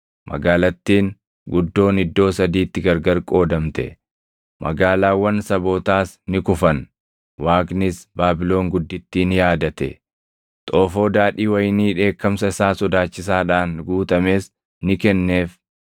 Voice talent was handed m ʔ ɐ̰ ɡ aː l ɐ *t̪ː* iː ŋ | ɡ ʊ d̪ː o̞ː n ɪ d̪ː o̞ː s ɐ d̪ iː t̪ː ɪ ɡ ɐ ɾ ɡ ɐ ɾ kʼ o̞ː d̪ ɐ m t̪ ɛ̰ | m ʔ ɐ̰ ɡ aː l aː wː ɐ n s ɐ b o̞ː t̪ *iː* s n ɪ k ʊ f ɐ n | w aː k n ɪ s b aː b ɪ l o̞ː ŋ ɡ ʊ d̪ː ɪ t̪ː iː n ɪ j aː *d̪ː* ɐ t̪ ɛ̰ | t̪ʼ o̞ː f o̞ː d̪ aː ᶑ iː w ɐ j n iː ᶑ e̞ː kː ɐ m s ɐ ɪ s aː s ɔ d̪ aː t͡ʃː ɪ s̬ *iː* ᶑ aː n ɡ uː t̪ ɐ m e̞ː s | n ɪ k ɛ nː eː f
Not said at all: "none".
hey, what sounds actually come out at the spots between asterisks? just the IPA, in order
t̪ː, aː, d̪, aː

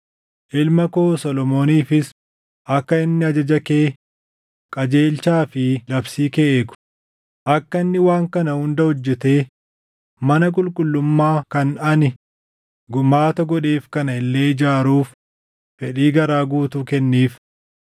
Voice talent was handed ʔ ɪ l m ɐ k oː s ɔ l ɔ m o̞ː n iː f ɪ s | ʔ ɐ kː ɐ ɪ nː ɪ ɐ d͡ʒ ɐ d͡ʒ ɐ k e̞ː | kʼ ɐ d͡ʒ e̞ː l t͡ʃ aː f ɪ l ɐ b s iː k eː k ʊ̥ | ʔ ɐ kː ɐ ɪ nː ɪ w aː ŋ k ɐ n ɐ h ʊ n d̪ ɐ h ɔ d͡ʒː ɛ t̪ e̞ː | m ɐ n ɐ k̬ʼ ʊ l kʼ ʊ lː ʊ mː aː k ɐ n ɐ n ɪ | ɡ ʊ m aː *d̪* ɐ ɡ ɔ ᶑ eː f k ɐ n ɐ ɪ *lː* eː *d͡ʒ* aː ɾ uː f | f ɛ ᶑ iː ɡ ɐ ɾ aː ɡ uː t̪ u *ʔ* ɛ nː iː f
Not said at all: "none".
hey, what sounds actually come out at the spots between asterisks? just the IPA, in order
t̪, lː, d͡ʒ, k

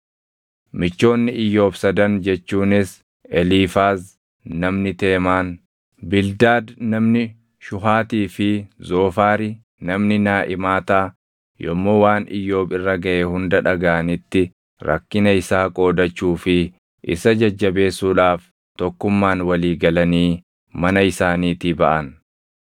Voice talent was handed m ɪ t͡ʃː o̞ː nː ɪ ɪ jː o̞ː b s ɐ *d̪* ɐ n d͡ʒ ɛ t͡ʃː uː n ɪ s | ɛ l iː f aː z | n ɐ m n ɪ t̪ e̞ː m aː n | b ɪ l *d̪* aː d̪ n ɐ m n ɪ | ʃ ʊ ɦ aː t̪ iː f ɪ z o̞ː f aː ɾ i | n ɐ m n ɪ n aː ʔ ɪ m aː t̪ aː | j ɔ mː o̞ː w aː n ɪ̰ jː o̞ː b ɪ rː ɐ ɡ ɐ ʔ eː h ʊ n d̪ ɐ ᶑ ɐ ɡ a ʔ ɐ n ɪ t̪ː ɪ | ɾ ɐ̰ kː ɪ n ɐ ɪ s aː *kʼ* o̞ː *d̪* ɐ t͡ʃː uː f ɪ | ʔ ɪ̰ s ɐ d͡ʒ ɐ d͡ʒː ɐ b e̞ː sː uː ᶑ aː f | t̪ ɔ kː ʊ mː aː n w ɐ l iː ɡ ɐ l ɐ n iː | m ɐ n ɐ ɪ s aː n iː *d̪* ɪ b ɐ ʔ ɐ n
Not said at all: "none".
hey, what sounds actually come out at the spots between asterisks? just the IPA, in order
d̪, d̪, kʼ, d̪, t̪

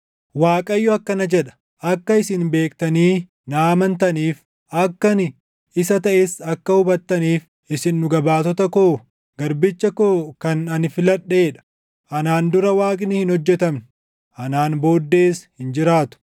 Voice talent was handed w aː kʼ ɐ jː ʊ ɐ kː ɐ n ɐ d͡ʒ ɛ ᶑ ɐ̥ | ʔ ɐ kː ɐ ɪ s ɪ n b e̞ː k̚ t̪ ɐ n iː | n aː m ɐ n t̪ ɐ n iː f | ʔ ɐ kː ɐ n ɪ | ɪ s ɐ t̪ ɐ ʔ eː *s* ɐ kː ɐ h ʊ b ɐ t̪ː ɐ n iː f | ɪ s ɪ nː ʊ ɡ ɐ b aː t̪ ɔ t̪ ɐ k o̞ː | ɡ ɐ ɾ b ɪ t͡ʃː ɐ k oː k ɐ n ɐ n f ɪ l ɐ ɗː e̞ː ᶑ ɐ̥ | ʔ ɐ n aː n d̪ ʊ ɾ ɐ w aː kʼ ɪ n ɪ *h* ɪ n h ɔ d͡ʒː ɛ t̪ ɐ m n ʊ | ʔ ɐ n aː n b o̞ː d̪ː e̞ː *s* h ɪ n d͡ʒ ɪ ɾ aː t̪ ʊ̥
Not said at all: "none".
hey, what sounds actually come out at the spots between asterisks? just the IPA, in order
s, h, s

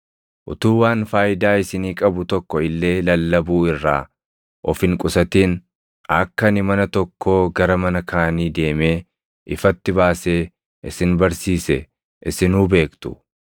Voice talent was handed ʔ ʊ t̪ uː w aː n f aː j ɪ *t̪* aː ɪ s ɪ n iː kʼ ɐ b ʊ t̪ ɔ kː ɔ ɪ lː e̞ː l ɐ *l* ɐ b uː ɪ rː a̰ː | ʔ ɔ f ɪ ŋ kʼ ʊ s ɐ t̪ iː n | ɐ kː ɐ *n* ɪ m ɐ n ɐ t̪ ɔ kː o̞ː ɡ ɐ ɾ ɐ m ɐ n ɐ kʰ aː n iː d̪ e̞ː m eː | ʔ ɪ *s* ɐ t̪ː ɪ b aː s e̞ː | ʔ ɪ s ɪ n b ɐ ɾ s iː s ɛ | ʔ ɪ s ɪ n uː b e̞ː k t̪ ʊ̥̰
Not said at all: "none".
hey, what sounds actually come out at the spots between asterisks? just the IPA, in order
d̪, lː, n, f

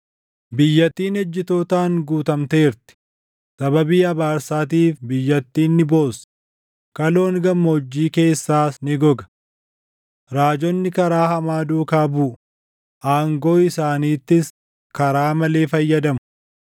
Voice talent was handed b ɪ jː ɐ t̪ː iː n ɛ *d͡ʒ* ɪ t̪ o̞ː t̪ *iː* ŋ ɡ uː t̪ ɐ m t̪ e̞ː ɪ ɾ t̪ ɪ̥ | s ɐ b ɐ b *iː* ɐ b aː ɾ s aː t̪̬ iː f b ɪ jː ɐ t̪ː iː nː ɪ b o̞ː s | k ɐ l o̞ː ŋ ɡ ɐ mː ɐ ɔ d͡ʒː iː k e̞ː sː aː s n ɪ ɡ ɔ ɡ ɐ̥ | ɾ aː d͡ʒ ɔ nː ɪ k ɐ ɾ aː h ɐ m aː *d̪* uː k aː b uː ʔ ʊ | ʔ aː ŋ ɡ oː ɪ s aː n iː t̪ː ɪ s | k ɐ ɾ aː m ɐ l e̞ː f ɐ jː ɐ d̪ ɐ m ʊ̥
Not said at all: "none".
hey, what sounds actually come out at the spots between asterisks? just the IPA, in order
d͡ʒː, aː, iː, d̪

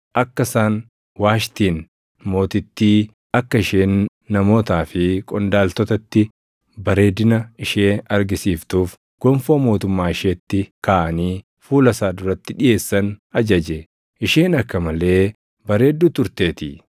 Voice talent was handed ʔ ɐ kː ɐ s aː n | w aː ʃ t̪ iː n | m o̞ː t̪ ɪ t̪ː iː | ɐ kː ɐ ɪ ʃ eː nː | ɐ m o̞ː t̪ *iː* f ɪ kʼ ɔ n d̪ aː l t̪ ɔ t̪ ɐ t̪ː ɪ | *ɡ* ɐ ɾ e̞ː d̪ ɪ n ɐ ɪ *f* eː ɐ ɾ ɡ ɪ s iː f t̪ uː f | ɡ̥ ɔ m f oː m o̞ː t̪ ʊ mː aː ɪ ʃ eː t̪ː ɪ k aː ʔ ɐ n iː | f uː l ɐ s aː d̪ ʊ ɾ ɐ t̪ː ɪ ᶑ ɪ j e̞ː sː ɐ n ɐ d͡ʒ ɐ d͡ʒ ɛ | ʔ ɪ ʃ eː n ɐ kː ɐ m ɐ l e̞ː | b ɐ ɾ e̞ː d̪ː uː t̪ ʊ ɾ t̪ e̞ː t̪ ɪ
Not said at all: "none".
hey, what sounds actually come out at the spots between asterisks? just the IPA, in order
aː, b, ʃ

